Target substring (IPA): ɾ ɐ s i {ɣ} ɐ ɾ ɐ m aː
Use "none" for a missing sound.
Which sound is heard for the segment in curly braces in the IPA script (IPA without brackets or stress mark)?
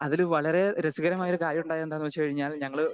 ɣ